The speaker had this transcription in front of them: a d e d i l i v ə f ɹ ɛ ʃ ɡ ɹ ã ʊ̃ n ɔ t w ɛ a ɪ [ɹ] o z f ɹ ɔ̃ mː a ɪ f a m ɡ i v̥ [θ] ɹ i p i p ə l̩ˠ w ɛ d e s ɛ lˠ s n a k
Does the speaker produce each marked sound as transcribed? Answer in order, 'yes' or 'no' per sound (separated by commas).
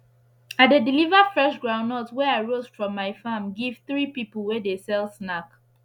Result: yes, yes